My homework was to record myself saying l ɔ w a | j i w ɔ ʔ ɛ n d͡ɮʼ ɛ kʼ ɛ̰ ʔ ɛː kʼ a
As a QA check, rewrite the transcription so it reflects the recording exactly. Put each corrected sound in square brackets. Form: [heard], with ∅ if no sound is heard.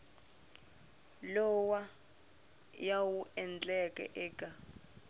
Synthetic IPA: l ɔ w a | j [a] w [u] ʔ ɛ n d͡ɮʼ ɛ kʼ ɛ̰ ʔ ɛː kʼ a